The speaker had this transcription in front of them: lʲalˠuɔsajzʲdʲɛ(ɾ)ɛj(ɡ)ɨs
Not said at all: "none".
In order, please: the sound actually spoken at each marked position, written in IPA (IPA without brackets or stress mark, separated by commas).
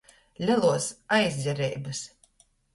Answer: ɾ, b